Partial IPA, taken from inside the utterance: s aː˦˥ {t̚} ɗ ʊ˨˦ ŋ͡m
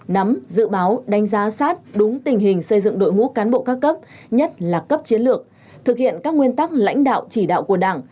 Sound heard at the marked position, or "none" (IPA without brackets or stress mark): t̚